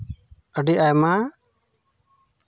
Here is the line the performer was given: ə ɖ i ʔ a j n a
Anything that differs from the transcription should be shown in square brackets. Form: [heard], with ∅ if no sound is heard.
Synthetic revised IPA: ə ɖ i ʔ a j [m] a